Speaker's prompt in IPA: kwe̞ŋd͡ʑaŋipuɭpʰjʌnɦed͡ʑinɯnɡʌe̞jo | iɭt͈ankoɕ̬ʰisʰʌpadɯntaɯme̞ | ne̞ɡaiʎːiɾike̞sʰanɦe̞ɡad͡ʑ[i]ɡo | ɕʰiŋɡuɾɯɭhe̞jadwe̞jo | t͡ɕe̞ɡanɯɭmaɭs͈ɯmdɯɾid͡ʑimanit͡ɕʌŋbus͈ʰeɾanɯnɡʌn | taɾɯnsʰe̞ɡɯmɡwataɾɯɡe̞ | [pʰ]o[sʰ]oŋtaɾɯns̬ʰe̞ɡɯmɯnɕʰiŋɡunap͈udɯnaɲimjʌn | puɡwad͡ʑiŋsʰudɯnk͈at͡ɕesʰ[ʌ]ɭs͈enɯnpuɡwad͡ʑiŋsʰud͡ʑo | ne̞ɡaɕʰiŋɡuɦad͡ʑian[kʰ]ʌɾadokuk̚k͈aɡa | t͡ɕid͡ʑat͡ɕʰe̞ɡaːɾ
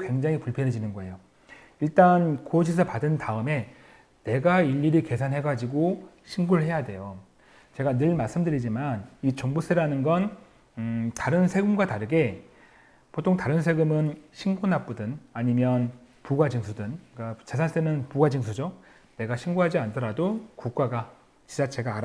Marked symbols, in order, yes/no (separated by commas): yes, no, no, no, no